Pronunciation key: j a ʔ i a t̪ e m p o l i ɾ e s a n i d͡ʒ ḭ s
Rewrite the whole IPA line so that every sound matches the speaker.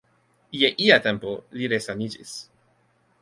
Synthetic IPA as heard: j e ʔ i a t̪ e m p o l i ɾ e s a n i d͡ʒ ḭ s